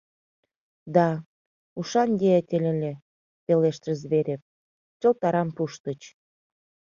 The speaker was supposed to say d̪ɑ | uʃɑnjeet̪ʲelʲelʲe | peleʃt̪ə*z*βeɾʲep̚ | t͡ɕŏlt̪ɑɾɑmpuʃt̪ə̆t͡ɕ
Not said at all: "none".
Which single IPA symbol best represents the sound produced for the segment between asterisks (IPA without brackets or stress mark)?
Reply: z